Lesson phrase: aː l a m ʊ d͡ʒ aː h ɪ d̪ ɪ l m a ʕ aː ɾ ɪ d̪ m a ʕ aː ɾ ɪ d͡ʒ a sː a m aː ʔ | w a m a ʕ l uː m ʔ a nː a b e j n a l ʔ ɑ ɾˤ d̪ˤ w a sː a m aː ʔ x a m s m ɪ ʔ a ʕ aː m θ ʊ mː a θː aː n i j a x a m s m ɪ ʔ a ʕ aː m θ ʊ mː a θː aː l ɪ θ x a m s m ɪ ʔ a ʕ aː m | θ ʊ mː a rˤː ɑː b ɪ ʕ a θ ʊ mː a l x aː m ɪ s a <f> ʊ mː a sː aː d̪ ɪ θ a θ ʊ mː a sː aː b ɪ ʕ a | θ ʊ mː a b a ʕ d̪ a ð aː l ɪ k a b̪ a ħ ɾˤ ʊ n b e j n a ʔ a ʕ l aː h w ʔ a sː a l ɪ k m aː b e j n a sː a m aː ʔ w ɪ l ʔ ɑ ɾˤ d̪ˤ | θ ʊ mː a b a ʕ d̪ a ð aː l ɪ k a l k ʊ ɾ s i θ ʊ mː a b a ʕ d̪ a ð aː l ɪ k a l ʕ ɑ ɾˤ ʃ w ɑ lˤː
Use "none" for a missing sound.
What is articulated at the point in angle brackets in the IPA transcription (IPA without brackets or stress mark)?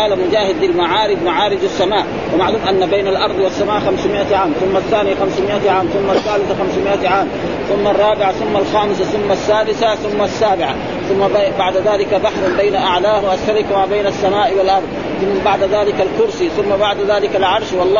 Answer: θ